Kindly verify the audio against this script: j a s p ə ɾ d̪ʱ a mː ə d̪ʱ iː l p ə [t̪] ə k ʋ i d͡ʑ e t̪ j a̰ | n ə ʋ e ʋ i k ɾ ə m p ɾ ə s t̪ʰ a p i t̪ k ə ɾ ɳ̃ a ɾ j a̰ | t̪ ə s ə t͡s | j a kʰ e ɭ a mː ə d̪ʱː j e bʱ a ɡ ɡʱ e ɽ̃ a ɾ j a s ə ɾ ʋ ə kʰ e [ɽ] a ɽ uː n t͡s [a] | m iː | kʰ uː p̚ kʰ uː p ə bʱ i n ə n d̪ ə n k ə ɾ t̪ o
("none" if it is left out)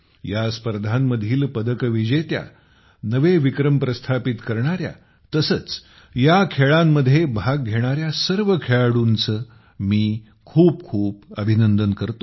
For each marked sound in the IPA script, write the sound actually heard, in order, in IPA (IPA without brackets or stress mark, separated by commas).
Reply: d̪, ɭ, ə